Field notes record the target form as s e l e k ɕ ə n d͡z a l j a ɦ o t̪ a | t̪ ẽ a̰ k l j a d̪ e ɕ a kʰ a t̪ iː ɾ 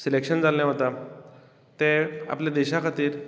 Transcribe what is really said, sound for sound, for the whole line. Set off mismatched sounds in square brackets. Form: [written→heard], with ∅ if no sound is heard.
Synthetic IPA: s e l e k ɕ ə n d͡z a l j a ɦ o t̪ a | t̪ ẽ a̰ [k→p] l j a d̪ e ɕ a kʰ a t̪ iː ɾ